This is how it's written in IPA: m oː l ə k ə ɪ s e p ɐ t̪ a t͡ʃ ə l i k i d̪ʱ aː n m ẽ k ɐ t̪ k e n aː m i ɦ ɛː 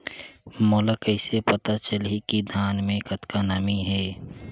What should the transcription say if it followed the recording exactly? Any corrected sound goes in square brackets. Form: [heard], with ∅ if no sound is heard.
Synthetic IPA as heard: m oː l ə k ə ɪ s e p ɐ t̪ a t͡ʃ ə l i k i d̪ʱ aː n m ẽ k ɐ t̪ k [a] n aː m i ɦ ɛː

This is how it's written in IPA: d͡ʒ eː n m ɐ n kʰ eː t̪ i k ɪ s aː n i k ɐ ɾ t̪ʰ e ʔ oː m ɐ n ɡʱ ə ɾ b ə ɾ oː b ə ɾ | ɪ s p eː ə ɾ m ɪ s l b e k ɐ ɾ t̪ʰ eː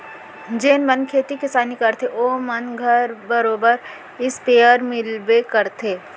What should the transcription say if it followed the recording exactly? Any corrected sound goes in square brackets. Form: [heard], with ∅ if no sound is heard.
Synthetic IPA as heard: d͡ʒ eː n m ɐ n kʰ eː t̪ i k ɪ s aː n i k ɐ ɾ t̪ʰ e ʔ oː m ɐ n ɡʱ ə ɾ b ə ɾ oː b ə ɾ | ɪ s p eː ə ɾ m ɪ [∅] l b e k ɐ ɾ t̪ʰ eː

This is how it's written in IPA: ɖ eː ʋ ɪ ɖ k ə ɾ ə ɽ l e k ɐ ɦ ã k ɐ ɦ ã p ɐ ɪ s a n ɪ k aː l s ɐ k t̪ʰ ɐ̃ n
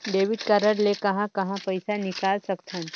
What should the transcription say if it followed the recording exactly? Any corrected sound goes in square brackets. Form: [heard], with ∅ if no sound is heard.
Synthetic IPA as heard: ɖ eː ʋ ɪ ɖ k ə ɾ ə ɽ l e k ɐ ɦ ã k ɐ ɦ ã p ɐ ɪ s a n ɪ k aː l s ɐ k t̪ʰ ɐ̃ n

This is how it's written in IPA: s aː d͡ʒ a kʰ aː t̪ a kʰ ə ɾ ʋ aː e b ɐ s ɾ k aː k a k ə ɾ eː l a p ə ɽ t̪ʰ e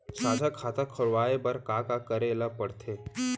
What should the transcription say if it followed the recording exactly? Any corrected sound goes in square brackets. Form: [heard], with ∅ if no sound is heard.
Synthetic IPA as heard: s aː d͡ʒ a kʰ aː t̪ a kʰ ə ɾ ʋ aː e b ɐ [∅] ɾ k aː k a k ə ɾ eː l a p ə ɽ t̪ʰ e

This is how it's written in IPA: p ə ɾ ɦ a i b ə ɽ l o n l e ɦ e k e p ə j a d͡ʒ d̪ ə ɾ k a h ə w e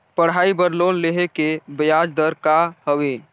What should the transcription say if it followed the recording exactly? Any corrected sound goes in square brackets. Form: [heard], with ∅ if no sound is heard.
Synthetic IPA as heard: p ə [ɽ] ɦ a i b ə [ɾ] l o n l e ɦ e k e [b] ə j a d͡ʒ d̪ ə ɾ k a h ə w e

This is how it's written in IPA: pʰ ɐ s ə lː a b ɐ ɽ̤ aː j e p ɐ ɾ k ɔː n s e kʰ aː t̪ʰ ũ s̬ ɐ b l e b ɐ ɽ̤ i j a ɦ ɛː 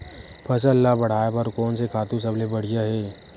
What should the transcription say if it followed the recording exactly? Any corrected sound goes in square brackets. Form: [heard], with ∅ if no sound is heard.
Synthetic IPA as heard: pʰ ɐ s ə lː a b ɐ ɽ̤ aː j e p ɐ ɾ k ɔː n s e kʰ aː [t̪] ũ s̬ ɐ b l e b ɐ ɽ̤ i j a ɦ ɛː

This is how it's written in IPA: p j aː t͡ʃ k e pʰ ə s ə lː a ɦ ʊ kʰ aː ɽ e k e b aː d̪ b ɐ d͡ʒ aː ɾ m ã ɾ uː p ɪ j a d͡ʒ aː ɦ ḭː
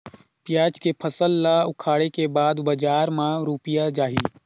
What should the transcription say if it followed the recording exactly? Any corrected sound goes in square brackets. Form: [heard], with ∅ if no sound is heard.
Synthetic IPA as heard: p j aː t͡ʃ k e pʰ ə s ə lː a [∅] ʊ kʰ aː ɽ e k e b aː d̪ b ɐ d͡ʒ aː ɾ m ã ɾ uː p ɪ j a d͡ʒ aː ɦ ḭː

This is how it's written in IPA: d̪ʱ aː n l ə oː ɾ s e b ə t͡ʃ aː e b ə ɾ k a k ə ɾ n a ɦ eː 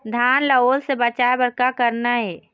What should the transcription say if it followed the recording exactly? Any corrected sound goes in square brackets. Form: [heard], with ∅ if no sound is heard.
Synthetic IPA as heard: d̪ʱ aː n l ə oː [l] s e b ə t͡ʃ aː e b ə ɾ k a k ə ɾ n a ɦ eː

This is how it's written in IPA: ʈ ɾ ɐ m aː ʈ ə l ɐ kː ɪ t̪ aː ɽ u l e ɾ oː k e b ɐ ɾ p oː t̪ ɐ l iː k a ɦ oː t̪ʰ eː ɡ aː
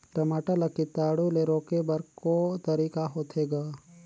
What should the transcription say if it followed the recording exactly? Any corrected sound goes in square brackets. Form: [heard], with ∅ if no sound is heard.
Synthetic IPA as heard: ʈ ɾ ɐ m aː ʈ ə l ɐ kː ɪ t̪ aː ɽ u l e ɾ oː k e b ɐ ɾ [k] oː t̪ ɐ [ɾ] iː k a ɦ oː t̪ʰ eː ɡ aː

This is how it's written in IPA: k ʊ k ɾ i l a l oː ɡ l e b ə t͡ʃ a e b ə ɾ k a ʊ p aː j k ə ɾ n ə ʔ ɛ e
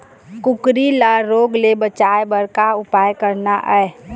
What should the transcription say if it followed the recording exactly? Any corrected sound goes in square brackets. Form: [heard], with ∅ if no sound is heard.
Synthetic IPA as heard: k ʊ k ɾ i l a [ɾ] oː ɡ l e b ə t͡ʃ a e b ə ɾ k a ʊ p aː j k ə ɾ n [a] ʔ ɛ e

